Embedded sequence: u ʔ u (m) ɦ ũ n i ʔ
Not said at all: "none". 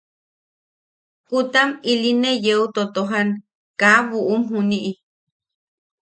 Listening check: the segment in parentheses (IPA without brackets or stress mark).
m